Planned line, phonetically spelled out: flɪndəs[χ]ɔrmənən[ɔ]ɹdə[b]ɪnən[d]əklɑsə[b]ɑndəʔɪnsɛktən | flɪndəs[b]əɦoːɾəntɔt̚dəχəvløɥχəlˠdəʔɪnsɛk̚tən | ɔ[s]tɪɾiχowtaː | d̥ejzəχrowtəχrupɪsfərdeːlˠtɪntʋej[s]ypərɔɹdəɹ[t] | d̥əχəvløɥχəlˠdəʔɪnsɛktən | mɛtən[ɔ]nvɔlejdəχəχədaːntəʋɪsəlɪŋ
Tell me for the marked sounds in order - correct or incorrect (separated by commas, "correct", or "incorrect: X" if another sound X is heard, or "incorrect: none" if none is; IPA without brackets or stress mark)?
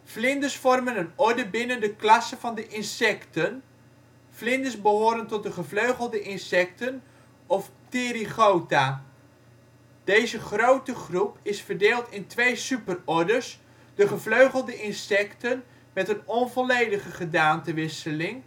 incorrect: f, correct, correct, correct, incorrect: v, correct, incorrect: f, correct, incorrect: s, correct